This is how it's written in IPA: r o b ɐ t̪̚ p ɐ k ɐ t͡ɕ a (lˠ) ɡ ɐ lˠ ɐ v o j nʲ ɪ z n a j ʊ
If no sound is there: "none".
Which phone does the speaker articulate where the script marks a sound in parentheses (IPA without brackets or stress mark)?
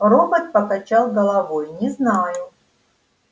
lˠ